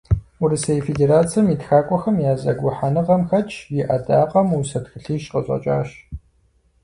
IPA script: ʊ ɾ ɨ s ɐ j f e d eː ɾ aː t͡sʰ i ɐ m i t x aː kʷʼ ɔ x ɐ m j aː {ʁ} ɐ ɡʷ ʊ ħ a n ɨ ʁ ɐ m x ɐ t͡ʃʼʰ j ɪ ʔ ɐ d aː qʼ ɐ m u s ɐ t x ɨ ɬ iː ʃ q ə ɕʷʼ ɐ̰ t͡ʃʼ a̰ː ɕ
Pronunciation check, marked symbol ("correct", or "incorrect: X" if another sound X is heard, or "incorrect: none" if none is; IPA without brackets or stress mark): incorrect: z